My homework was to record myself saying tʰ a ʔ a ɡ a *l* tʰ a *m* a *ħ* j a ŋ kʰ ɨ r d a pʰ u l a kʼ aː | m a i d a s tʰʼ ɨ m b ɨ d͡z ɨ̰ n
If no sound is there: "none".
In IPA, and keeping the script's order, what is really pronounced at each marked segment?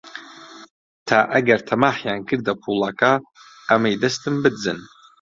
r, m, ħ

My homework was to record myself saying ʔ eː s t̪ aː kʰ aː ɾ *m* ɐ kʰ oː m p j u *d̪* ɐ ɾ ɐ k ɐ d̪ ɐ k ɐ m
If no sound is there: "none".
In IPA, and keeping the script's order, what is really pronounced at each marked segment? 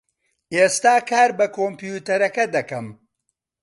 b, t̪

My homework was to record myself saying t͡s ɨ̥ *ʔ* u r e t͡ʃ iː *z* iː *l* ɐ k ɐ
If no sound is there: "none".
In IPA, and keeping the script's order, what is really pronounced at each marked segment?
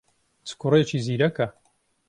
k, z, ɾ

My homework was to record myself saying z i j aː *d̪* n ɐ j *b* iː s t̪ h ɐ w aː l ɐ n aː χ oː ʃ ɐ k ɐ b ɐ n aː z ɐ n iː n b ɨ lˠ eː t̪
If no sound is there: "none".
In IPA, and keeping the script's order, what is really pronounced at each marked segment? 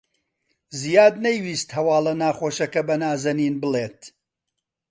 d̪, w

